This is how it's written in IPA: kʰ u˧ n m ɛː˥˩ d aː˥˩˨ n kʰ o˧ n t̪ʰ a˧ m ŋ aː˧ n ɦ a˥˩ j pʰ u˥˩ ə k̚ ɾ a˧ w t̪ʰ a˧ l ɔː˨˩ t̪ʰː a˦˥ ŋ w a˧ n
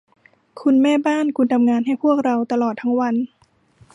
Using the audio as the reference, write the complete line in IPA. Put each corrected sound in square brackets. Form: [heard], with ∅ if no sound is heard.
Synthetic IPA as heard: kʰ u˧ n m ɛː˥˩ [b] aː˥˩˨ n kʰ [u˧] n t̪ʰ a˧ m ŋ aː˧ n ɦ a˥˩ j pʰ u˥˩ ə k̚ ɾ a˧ w [t̪] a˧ l ɔː˨˩ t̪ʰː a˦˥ ŋ w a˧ n